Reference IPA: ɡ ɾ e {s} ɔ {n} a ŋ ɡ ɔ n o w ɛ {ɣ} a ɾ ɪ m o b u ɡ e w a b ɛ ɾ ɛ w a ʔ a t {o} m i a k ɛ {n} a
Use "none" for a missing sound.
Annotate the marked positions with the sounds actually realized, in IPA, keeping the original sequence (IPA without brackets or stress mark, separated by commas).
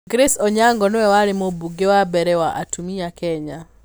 s, ɲ, w, u, ɲ